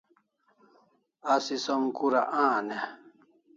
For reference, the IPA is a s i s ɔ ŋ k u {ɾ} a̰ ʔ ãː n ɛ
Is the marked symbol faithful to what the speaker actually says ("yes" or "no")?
yes